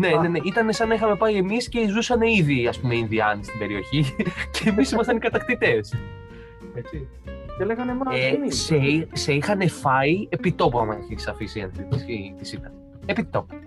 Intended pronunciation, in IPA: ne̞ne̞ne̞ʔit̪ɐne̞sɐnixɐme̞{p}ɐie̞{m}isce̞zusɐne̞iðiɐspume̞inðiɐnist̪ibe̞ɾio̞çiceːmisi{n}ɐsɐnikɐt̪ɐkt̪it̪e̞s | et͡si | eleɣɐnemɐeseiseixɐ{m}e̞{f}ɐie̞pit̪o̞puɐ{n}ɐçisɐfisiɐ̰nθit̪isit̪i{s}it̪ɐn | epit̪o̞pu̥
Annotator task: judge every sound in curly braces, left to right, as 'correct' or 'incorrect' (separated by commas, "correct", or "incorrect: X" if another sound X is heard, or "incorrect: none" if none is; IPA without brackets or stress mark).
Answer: correct, correct, incorrect: m, incorrect: n, correct, incorrect: m, correct